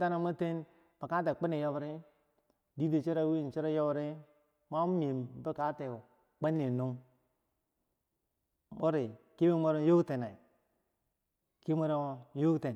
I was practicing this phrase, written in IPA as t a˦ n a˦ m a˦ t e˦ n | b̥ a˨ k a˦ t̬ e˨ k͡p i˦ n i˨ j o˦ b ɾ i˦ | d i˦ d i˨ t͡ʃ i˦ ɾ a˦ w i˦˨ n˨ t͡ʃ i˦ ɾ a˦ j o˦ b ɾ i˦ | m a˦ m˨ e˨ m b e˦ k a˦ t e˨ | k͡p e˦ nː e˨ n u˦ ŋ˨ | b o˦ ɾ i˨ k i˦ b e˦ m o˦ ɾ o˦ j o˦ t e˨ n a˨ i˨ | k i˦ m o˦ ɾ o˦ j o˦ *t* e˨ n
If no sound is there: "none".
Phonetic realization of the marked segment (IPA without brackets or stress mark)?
t